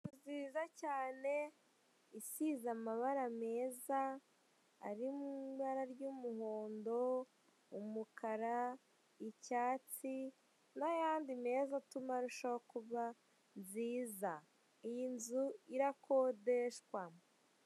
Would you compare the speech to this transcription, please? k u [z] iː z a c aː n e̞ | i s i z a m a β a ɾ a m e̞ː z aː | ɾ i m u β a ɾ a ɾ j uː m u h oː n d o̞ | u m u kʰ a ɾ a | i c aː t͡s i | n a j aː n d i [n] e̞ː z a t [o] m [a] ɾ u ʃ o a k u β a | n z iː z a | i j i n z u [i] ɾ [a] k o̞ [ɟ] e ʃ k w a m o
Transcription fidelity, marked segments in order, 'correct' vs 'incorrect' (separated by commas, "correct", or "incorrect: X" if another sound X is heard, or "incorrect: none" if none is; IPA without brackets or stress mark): correct, incorrect: m, incorrect: u, correct, correct, correct, incorrect: d